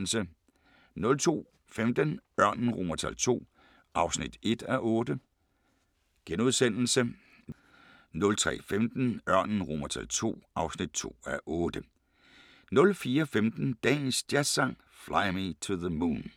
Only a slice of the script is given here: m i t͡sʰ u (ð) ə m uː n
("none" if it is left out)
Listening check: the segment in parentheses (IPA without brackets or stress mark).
ð